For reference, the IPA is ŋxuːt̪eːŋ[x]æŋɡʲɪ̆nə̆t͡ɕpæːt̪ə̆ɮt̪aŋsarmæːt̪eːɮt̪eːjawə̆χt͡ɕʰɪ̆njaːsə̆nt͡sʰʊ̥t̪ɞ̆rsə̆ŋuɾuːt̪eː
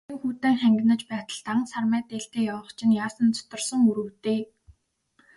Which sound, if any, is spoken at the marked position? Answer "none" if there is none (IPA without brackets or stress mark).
χ